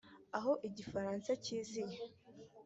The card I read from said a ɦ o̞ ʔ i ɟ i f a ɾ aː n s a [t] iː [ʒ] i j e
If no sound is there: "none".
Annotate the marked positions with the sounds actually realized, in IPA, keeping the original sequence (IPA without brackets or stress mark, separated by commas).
c, z